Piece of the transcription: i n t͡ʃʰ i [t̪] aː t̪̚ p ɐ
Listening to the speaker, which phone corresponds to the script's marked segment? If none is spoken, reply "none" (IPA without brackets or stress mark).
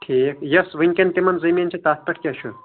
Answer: t̪